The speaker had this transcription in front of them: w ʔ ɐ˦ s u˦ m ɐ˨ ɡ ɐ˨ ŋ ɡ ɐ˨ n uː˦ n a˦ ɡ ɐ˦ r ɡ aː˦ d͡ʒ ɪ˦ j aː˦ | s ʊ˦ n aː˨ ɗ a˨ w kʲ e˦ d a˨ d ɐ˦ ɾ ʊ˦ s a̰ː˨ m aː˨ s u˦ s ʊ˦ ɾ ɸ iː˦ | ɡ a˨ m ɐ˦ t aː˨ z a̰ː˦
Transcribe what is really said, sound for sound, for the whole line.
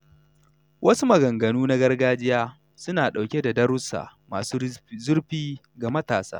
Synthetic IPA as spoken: w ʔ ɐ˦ s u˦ m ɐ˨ ɡ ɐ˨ ŋ ɡ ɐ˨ n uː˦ n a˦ ɡ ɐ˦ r ɡ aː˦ d͡ʒ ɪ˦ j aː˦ | s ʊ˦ n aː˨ ɗ a˨ w kʲ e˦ d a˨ d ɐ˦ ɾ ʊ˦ s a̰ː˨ m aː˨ s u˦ z ʊ˦ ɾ ɸ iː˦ | ɡ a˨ m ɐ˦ t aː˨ s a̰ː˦